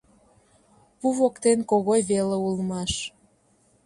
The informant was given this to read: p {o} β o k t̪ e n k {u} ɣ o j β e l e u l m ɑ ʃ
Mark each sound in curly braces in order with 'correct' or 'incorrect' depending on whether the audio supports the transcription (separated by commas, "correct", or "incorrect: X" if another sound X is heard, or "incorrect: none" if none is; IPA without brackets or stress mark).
incorrect: u, incorrect: o